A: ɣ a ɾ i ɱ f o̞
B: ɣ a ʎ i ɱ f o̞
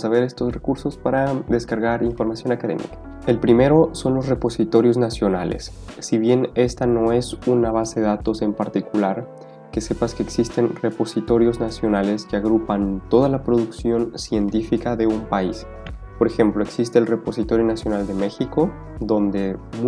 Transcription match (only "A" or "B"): A